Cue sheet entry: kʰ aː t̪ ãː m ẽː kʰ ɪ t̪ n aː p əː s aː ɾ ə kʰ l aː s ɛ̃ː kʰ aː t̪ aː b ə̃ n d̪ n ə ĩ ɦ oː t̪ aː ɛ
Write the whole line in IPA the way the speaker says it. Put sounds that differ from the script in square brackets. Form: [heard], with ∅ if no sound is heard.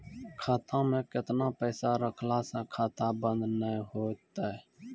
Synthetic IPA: kʰ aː t̪ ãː m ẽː [k] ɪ t̪ n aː p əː s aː ɾ ə kʰ l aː s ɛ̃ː kʰ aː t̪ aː b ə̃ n d̪ n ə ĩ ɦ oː t̪ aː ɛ